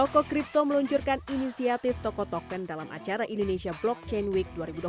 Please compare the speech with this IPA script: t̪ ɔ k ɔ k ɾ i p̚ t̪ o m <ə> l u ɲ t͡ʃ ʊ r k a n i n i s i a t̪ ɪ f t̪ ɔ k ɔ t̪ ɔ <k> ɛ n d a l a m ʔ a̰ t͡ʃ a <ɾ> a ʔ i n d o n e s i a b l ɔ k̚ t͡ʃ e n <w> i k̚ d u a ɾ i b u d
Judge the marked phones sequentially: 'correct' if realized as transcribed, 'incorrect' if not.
correct, correct, correct, correct

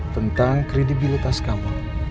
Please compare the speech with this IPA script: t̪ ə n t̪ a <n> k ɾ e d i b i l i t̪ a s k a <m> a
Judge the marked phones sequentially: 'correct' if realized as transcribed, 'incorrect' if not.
incorrect, correct

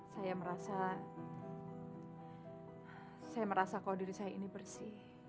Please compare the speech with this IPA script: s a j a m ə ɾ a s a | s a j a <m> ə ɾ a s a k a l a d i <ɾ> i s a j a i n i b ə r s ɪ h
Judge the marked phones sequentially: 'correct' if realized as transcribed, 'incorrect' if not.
correct, correct

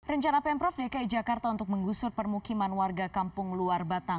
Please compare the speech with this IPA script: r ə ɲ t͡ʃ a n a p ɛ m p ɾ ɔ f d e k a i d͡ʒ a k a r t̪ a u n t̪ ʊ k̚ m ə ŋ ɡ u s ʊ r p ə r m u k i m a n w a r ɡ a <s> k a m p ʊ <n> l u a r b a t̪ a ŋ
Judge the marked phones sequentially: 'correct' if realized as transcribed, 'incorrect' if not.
incorrect, incorrect

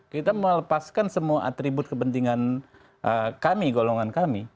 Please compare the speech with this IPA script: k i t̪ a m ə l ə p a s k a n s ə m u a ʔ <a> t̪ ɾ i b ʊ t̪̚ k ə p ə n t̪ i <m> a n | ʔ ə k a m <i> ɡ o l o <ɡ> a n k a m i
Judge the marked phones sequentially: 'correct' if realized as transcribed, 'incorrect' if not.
correct, incorrect, correct, incorrect

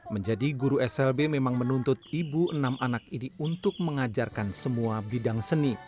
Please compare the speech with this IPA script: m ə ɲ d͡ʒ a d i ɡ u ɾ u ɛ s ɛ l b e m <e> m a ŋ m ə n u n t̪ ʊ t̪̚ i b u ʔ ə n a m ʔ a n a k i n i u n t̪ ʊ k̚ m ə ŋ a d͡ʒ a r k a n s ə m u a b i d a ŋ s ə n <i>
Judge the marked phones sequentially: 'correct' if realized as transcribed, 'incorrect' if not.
correct, correct

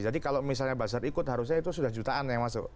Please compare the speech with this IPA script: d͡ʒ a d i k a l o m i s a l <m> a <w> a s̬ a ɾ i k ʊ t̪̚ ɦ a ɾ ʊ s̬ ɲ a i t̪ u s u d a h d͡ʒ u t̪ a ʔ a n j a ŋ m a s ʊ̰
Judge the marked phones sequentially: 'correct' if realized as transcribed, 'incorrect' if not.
incorrect, incorrect

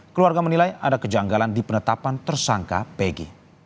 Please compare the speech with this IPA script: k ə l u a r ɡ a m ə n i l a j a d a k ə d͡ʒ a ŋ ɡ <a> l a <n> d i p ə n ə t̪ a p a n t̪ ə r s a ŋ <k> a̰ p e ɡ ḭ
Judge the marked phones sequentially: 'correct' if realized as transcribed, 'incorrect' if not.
correct, correct, correct

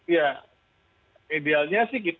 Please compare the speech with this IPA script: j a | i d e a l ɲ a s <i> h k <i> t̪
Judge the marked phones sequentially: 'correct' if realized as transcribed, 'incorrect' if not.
incorrect, correct

